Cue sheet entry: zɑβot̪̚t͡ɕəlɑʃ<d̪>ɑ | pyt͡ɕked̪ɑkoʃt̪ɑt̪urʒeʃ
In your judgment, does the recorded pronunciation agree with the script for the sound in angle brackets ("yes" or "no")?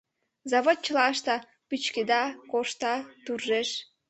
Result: no